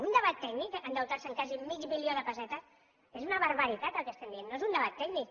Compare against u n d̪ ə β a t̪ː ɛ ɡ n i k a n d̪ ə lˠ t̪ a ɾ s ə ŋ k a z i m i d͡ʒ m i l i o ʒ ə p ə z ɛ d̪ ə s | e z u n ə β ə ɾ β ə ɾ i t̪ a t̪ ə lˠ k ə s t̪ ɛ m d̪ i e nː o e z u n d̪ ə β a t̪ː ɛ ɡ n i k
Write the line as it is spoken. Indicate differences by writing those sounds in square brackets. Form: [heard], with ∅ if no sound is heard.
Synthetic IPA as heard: u n d̪ ə β a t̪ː ɛ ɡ n i k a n d̪ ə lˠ t̪ a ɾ s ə ŋ k a z i m i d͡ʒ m i l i o [ð] ə p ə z ɛ [t̪] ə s | e z u n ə β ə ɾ β ə ɾ i t̪ a t̪ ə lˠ k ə s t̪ ɛ m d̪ i e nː o e z u n d̪ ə β a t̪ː ɛ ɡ n i k